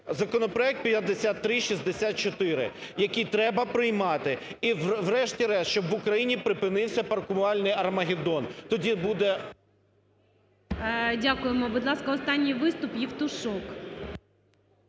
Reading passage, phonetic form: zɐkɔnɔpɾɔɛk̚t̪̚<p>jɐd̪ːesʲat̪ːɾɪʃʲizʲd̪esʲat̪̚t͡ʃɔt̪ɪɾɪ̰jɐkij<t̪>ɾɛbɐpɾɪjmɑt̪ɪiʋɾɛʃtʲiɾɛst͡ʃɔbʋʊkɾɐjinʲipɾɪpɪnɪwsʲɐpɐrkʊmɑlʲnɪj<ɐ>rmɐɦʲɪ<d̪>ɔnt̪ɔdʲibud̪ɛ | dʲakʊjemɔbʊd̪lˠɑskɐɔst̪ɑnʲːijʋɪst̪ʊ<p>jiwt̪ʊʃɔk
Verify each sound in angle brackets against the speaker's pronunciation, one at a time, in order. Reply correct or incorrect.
correct, correct, correct, correct, correct

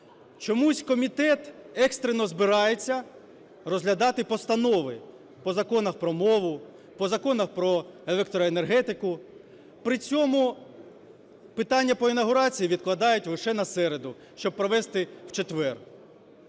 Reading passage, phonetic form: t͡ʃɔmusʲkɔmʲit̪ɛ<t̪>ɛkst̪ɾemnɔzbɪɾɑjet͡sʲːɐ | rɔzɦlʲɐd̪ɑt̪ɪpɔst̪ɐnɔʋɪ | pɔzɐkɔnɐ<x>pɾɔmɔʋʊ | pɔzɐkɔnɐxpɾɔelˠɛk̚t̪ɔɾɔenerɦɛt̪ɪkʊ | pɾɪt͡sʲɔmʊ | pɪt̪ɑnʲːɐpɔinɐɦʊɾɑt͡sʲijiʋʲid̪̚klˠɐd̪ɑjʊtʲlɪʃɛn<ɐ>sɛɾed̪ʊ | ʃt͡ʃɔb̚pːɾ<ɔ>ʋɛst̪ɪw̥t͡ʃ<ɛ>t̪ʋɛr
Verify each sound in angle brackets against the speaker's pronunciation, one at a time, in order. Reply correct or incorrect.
correct, correct, correct, correct, incorrect

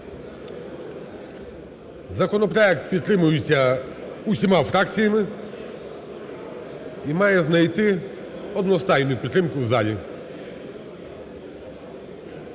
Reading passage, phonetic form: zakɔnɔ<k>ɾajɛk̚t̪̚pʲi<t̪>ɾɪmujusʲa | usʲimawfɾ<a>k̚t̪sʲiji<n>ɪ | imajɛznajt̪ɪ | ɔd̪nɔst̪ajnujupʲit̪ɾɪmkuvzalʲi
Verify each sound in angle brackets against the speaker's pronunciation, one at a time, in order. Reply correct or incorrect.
incorrect, correct, correct, incorrect

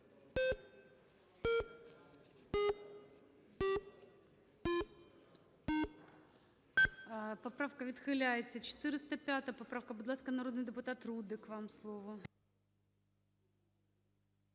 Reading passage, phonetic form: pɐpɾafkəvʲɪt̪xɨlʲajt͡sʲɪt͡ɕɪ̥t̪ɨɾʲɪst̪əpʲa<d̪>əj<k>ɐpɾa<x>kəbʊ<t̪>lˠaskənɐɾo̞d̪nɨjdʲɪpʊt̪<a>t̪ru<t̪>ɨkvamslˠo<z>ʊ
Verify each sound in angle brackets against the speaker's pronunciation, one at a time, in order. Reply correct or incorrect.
incorrect, incorrect, incorrect, incorrect, correct, incorrect, incorrect

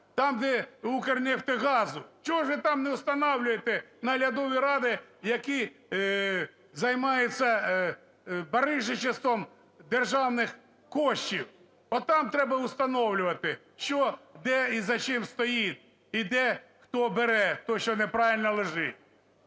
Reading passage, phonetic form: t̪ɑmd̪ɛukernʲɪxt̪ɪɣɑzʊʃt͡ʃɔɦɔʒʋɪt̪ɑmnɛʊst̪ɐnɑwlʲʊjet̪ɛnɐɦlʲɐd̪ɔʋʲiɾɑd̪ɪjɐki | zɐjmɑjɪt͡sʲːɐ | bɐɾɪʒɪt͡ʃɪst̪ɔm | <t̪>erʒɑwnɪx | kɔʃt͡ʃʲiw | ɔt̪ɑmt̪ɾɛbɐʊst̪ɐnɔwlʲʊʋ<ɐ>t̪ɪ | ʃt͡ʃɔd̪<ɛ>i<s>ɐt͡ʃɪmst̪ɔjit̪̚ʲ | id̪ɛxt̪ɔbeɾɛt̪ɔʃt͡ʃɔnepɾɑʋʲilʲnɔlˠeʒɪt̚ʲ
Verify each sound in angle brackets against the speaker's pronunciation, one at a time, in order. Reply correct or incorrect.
incorrect, correct, correct, incorrect

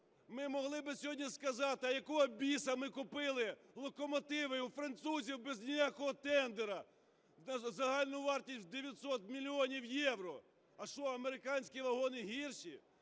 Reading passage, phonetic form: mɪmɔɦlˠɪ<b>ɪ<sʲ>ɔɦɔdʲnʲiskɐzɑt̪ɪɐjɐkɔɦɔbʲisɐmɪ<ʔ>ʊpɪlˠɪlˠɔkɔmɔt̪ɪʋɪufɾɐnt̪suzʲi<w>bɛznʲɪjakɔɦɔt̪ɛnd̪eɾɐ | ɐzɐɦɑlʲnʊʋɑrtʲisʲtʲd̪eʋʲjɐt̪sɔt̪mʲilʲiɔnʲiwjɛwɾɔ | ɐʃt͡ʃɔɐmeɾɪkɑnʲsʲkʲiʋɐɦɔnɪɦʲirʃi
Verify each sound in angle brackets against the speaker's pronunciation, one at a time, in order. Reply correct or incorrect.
correct, correct, incorrect, correct

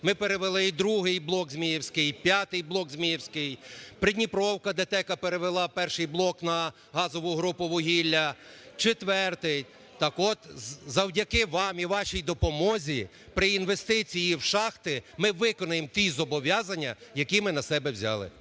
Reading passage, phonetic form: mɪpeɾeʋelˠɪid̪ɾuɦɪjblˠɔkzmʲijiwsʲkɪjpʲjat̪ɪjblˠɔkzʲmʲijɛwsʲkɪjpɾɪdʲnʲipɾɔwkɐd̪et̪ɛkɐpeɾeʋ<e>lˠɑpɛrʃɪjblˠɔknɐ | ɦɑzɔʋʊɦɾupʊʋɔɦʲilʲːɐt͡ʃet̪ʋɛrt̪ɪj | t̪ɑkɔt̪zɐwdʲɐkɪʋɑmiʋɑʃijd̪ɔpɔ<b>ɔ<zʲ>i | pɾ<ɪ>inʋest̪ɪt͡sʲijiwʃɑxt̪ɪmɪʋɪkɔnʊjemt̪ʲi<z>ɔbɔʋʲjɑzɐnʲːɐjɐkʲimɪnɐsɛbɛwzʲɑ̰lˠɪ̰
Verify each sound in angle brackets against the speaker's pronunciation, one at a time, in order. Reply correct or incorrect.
correct, incorrect, correct, correct, correct

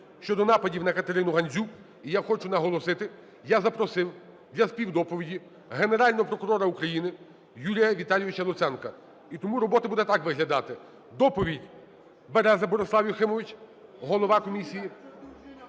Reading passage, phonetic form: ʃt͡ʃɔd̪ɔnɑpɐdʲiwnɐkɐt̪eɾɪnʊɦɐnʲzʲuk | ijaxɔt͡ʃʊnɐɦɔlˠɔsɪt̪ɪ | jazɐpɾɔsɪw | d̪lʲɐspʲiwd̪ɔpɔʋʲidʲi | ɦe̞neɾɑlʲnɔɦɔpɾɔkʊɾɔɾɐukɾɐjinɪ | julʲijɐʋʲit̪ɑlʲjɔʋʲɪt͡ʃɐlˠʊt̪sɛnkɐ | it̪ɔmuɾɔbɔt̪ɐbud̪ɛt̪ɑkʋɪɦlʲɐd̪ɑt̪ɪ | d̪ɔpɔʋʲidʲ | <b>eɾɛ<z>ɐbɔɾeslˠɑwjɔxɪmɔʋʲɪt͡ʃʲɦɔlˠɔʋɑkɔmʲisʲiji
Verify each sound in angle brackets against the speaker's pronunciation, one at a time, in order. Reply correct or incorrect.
correct, correct

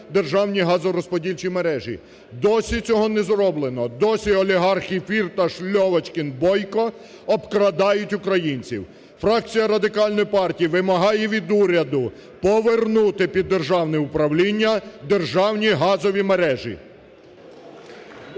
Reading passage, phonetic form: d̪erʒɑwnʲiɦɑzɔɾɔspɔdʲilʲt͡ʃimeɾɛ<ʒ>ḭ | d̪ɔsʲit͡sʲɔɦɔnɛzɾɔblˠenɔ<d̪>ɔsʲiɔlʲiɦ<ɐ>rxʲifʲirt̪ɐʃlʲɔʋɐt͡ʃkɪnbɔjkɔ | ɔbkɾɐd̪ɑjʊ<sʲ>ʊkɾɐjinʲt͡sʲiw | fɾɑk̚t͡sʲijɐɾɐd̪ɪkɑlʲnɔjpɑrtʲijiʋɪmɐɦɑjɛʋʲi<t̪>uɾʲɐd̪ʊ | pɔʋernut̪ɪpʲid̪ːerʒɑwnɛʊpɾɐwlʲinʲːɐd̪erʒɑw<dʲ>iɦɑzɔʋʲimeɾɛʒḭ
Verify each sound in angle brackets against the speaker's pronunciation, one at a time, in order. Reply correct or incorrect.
correct, correct, incorrect, incorrect, incorrect, incorrect

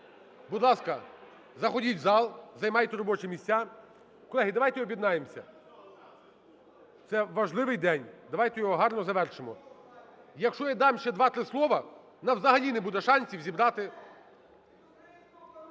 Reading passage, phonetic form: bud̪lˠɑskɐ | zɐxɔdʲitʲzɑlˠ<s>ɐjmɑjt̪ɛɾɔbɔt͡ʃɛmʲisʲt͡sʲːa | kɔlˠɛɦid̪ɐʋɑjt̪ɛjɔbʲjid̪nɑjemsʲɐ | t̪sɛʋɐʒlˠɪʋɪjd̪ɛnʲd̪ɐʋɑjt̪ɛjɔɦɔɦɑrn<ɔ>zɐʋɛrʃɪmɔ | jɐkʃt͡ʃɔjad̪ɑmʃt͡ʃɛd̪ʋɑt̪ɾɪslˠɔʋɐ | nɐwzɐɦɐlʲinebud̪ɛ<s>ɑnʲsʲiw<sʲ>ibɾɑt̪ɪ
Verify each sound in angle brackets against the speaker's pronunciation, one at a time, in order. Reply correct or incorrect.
incorrect, correct, incorrect, incorrect

